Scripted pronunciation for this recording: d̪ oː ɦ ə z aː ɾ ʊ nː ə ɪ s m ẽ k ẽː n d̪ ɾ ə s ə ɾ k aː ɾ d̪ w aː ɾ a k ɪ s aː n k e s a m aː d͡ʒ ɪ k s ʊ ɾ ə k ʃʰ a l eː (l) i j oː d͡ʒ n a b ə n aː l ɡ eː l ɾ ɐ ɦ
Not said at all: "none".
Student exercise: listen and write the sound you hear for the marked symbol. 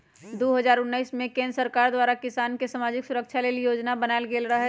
l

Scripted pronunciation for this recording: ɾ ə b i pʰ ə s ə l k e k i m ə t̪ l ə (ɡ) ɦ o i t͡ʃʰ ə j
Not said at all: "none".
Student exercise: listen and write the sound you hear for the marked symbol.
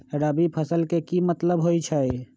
b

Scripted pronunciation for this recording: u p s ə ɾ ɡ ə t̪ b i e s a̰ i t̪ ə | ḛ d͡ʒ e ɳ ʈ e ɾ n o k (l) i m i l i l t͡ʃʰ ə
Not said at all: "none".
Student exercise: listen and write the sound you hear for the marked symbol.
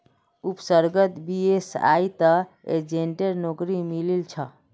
ɾ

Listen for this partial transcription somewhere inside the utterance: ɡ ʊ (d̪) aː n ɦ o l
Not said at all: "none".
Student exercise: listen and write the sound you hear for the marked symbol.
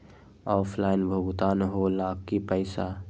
t̪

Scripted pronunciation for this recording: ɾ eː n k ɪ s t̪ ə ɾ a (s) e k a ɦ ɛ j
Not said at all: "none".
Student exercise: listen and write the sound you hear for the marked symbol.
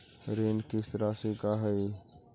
s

